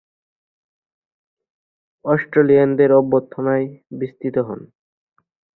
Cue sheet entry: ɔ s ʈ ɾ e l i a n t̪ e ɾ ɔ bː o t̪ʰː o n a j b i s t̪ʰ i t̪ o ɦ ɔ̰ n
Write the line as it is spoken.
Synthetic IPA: ɔ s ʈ ɾ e l i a n d̪ e ɾ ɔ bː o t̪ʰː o n a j b i s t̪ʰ i t̪ o ɦ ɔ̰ n